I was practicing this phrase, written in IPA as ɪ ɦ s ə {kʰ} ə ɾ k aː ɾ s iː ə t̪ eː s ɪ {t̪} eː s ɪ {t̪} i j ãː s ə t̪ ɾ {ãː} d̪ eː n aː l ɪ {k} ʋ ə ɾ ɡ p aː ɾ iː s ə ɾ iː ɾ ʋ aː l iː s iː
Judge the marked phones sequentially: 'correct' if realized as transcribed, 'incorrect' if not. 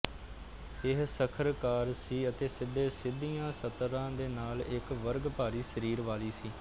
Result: correct, incorrect, incorrect, correct, correct

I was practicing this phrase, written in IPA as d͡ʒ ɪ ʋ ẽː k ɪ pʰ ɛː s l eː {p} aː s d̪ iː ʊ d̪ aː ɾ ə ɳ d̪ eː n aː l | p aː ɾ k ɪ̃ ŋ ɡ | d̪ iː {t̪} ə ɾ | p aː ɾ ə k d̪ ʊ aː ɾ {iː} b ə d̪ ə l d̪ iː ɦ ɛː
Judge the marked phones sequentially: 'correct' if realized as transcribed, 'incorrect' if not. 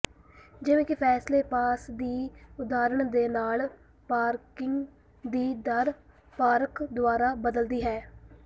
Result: correct, incorrect, incorrect

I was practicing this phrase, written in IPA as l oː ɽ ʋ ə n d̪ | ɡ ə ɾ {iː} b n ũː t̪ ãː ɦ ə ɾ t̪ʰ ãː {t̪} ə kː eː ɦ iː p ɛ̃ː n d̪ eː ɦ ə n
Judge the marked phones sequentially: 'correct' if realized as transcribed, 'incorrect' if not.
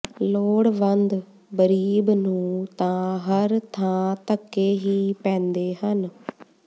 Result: correct, correct

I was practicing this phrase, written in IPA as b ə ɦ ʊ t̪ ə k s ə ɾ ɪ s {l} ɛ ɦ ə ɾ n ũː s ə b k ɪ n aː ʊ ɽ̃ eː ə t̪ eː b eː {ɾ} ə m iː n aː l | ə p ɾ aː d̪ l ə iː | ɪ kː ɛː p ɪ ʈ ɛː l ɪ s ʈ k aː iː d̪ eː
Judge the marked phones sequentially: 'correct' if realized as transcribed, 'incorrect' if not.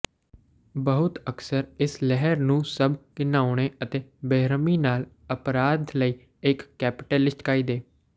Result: correct, correct

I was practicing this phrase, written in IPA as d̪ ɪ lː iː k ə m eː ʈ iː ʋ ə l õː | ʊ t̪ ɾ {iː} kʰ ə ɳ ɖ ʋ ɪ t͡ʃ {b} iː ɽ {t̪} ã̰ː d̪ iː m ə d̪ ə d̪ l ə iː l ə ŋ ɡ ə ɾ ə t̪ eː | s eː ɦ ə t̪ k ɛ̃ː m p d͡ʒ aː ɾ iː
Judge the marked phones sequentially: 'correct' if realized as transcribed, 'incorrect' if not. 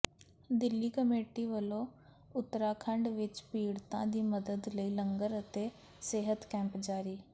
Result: incorrect, incorrect, correct

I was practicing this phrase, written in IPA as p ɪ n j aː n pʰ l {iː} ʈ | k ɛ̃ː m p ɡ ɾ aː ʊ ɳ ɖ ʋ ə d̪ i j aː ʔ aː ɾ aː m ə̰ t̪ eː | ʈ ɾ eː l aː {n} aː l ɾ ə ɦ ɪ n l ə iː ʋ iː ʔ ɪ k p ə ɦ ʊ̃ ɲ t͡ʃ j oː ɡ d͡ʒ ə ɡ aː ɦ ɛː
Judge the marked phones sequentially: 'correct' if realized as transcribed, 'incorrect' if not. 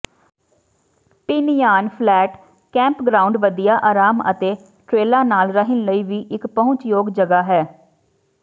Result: incorrect, correct

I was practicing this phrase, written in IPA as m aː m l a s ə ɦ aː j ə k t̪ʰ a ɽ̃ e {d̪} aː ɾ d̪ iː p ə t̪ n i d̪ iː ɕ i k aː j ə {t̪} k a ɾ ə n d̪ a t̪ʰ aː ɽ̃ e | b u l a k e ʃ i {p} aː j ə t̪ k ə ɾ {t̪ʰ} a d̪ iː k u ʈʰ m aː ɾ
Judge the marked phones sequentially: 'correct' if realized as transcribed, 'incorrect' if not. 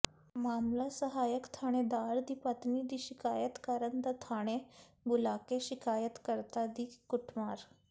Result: correct, correct, incorrect, incorrect

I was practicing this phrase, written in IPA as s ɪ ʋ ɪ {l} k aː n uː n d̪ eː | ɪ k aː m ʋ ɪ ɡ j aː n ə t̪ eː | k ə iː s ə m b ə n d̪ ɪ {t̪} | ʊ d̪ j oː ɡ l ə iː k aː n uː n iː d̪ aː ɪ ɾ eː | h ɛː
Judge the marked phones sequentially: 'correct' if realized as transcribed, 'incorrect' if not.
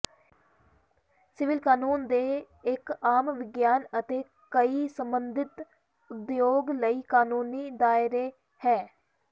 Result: correct, correct

